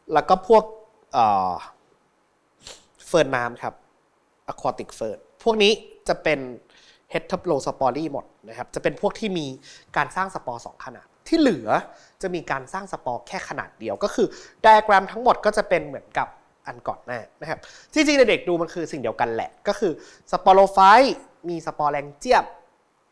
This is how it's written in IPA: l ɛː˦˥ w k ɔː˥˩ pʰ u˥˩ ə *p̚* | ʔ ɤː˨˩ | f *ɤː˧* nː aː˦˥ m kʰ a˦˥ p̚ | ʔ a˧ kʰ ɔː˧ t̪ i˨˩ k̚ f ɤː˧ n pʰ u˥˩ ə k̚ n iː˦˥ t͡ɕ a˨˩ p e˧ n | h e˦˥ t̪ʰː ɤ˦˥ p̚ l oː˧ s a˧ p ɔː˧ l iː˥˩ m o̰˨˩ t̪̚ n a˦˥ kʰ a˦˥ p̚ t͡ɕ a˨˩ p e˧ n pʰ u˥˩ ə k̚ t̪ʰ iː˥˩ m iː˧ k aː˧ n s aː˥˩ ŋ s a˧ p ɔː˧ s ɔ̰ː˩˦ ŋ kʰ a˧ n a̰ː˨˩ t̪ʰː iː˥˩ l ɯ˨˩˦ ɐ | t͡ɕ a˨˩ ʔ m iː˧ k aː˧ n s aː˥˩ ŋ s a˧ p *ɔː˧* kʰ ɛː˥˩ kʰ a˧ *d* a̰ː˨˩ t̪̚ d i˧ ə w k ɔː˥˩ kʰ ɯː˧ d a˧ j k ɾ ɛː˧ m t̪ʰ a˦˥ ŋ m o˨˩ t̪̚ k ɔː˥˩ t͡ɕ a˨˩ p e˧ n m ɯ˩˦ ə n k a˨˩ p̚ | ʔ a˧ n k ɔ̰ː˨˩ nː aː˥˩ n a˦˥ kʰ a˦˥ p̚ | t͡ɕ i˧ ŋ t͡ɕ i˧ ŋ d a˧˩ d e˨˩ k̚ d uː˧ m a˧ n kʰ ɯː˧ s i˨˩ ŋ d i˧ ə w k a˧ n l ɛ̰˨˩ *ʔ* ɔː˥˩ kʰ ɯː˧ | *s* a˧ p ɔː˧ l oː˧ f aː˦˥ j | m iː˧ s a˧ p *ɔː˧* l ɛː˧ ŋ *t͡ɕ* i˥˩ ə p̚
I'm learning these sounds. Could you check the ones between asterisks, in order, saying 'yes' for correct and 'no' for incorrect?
no, yes, yes, no, no, yes, yes, yes

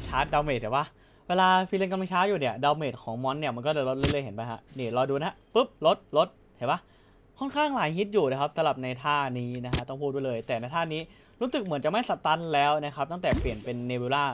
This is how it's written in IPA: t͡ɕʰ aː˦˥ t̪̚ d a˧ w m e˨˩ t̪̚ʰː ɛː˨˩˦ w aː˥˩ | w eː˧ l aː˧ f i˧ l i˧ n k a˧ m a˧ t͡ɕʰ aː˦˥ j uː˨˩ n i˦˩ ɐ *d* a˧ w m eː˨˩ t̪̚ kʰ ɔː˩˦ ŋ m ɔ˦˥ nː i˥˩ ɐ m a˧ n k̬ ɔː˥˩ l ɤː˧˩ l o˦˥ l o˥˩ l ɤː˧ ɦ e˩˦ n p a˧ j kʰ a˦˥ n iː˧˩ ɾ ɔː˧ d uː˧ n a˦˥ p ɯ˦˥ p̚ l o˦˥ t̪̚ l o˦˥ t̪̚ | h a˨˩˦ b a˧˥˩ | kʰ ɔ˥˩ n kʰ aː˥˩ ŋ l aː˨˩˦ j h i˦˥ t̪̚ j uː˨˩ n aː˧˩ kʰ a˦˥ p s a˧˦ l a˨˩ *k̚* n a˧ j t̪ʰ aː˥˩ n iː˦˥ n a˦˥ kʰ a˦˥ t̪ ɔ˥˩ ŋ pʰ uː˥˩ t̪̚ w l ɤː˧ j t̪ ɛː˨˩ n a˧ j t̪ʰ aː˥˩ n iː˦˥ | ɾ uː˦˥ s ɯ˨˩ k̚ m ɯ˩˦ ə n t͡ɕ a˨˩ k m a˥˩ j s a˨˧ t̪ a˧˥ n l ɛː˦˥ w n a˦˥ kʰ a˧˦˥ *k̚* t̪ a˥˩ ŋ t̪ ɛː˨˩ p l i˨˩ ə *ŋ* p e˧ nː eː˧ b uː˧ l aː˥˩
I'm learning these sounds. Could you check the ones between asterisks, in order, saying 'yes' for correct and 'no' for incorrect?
yes, no, no, no

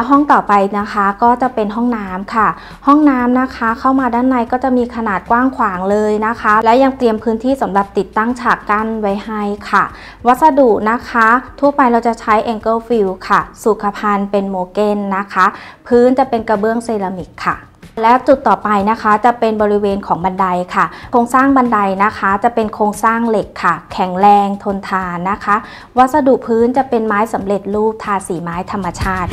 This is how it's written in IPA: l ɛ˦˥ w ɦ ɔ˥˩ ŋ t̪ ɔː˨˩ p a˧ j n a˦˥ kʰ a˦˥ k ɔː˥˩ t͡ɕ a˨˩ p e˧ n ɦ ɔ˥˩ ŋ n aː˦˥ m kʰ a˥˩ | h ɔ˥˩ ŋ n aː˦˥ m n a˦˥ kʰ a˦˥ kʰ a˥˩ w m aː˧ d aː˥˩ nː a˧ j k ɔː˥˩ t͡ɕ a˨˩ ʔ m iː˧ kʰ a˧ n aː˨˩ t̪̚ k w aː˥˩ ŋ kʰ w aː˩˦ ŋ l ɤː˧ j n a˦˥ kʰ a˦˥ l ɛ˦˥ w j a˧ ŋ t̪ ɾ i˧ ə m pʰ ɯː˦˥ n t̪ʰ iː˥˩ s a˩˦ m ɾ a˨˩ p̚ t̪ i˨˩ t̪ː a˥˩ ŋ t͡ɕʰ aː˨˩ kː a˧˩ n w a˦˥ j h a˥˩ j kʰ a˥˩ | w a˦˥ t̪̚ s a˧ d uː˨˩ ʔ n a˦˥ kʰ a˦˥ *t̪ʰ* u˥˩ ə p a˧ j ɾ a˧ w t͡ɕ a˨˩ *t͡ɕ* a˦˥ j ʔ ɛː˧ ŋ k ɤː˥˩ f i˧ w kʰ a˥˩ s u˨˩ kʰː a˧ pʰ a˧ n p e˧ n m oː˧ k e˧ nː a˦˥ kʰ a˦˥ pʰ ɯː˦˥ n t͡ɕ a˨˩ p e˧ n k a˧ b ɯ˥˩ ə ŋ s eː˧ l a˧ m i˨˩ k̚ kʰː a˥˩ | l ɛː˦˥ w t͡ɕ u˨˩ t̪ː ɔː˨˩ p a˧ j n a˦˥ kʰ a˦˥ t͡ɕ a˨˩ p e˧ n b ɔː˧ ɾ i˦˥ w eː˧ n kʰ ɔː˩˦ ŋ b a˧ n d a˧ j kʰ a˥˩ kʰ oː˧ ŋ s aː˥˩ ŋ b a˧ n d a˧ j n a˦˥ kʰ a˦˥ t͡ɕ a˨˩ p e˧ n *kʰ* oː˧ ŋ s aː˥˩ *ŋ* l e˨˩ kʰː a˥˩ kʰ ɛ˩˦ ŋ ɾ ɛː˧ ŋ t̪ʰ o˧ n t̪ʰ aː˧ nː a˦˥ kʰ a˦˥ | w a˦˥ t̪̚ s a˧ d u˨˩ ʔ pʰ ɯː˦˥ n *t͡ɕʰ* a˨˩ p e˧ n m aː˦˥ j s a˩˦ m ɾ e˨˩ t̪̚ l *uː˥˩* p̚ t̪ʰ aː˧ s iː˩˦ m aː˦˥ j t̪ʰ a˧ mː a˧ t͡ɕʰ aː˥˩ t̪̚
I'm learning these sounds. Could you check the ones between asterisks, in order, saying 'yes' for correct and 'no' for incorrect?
yes, no, yes, yes, no, yes

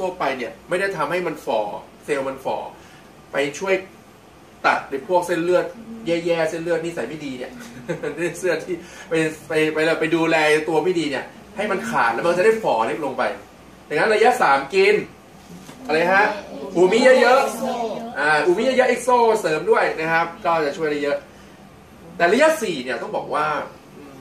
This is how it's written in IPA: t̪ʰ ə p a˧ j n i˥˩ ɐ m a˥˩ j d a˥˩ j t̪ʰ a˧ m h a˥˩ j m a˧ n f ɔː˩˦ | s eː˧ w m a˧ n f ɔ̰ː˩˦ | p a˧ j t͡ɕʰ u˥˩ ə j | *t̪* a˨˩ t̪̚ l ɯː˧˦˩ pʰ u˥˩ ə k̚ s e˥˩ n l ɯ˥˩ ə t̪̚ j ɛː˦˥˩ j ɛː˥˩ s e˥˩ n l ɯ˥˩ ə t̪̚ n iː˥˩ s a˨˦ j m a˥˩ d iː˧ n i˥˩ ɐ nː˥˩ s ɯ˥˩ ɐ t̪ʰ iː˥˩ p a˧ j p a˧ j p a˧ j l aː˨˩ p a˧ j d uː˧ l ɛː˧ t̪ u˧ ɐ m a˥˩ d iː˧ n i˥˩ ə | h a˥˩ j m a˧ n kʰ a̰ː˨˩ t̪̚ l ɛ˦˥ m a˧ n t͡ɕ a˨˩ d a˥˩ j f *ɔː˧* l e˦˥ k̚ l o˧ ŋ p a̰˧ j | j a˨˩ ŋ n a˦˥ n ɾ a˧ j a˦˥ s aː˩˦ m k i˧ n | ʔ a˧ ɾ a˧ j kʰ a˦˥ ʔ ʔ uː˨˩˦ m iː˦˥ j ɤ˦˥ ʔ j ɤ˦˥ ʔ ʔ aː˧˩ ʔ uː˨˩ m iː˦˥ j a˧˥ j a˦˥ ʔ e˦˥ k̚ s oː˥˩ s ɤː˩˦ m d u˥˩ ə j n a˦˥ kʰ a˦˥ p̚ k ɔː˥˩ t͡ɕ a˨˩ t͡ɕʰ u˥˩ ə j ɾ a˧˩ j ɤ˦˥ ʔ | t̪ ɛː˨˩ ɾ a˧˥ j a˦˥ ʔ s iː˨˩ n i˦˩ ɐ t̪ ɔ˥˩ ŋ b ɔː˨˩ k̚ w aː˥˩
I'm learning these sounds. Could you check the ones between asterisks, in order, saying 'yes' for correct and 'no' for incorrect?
yes, no

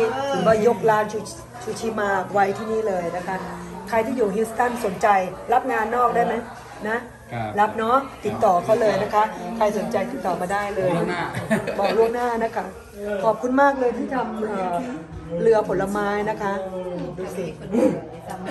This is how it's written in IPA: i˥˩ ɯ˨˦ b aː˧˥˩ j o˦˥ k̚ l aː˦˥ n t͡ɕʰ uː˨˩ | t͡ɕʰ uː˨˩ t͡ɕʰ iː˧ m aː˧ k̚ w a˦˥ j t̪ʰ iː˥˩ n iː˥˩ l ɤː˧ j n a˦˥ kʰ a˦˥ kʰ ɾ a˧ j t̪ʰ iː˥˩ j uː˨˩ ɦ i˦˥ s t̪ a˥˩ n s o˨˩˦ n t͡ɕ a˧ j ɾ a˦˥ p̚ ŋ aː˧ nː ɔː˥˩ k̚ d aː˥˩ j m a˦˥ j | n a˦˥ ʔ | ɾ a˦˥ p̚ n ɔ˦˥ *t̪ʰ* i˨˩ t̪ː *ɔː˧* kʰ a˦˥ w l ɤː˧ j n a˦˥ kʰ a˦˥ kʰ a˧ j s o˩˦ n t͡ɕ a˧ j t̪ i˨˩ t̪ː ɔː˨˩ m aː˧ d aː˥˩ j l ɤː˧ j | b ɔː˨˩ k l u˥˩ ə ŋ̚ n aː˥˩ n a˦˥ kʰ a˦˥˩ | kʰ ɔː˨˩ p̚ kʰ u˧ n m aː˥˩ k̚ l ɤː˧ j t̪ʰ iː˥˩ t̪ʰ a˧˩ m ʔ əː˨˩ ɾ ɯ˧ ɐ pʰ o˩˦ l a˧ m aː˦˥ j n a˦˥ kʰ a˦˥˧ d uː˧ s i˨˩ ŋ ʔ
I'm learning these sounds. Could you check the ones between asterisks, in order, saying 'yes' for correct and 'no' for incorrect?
no, no

